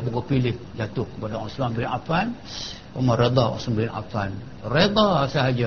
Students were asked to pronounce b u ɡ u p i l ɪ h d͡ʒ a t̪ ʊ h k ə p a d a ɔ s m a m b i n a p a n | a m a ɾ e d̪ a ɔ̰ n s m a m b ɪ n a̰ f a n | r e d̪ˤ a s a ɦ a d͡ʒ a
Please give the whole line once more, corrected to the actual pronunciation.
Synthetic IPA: b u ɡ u p i l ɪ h d͡ʒ a t̪ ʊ h k ə p a d a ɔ s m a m b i n a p a n | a m a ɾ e d̪ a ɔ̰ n s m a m b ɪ n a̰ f a n | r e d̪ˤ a s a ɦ a d͡ʒ a